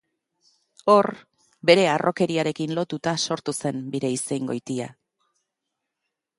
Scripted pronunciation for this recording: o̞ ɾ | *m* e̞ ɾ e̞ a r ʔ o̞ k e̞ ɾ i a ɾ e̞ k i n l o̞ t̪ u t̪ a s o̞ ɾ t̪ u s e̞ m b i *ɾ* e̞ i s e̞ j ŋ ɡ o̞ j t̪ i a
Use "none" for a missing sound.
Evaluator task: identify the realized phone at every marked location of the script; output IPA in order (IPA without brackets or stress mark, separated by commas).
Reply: b, ɾ